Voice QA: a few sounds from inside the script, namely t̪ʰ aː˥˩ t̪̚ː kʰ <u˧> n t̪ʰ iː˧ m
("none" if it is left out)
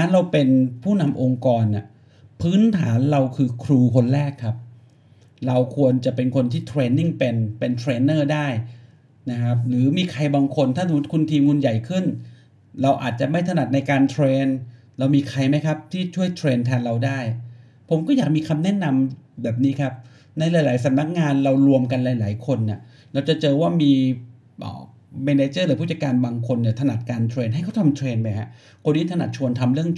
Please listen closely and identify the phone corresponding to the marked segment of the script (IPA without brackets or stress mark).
u˧